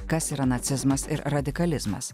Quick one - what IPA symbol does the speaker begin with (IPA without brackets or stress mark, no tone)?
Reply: k